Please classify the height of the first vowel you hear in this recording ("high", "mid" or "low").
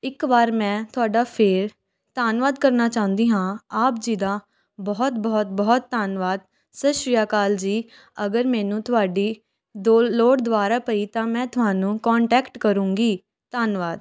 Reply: high